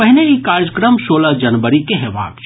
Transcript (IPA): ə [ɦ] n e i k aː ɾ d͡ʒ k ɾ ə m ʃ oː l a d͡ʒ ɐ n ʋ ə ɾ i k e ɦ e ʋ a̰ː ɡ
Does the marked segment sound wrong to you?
no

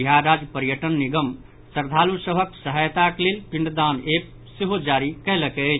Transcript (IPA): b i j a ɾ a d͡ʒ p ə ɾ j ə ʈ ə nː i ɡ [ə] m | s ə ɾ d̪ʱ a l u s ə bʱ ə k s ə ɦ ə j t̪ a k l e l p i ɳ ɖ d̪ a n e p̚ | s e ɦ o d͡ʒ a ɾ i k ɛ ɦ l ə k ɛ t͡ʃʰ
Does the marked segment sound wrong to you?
no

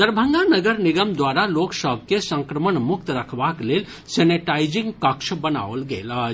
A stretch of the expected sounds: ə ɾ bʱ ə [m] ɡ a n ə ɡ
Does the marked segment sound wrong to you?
yes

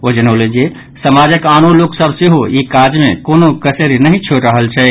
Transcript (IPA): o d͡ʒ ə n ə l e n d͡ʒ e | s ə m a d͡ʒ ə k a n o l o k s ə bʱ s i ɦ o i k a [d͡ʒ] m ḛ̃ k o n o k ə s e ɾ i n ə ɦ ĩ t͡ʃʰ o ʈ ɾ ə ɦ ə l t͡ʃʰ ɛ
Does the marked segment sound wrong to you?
no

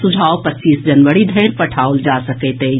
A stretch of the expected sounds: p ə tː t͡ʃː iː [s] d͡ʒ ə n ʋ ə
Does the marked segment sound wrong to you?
no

